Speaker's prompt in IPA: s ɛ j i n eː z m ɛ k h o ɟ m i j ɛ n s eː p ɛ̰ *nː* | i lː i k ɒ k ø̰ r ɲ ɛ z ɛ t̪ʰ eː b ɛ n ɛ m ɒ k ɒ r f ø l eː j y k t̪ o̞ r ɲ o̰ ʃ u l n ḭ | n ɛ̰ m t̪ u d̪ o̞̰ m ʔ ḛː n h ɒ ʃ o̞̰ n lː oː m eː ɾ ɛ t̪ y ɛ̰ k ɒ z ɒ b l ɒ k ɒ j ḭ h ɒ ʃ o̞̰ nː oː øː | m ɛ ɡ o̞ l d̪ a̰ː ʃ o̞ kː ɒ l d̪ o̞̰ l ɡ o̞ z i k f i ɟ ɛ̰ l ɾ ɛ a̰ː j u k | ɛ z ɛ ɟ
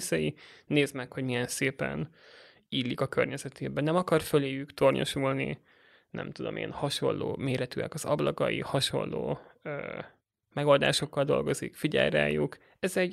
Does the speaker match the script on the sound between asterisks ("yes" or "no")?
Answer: no